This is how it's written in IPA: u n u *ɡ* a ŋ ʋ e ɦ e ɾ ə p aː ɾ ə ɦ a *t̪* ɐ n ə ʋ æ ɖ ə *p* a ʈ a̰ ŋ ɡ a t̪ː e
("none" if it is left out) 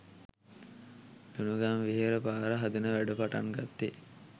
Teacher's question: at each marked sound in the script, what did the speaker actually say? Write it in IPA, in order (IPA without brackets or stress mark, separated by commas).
ɡ, d̪, p